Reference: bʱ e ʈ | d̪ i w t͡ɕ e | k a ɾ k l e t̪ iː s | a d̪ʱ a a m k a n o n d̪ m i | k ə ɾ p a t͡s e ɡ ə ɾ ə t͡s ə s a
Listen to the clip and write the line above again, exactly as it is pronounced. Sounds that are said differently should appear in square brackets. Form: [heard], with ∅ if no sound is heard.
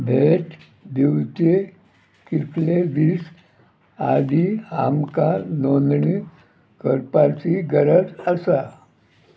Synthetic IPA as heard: bʱ e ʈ | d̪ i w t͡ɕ e | k [i] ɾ k l e [d̪] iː s | a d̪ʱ [i] a m k a n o n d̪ [ɳ] i | k ə ɾ p a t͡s [i] ɡ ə ɾ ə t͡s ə s a